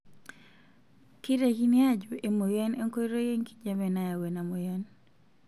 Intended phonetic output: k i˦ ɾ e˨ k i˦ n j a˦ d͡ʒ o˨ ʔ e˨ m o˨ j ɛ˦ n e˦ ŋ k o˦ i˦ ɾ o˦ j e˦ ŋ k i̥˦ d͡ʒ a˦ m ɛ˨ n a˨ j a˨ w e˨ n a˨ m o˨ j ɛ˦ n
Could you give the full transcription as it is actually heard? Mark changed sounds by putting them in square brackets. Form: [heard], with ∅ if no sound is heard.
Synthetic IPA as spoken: k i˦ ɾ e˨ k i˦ n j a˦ d͡ʒ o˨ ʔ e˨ m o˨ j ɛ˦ n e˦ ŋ k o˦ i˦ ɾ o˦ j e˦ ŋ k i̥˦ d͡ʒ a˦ m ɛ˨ n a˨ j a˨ w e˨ n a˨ m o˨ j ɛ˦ n